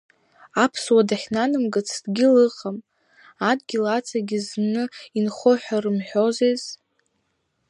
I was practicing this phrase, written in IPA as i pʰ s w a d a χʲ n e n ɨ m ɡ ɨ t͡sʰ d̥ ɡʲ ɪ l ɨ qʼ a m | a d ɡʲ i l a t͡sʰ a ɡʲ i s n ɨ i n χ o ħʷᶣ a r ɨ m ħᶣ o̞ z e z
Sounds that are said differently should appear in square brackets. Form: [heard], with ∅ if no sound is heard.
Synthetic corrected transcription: [a] pʰ s w a d a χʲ n [a] n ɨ m ɡ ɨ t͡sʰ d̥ ɡʲ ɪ l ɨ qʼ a m | a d ɡʲ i l a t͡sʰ a ɡʲ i [z] n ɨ i n χ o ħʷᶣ a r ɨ m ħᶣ o̞ z e z